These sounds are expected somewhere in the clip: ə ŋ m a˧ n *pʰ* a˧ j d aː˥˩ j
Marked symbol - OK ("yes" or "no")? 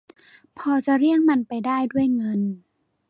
no